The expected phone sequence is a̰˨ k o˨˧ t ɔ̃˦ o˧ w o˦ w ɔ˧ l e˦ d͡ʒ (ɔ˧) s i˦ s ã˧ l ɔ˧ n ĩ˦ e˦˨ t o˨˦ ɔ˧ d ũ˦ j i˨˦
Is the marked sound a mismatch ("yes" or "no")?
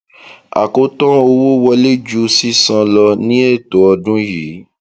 yes